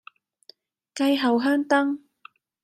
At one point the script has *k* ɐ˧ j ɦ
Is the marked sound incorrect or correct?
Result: correct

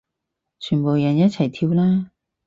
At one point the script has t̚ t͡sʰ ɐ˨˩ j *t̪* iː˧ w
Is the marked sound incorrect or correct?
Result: incorrect: t̪ʰ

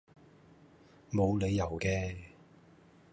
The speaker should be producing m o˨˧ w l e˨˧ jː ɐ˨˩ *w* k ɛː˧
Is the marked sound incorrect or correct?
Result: correct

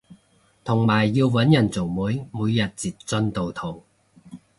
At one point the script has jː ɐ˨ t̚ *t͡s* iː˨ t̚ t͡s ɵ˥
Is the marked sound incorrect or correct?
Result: correct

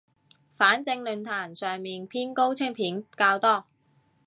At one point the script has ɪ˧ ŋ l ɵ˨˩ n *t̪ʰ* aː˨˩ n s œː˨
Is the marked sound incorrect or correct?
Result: correct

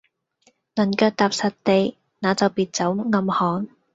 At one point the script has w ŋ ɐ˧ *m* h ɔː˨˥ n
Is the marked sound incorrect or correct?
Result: correct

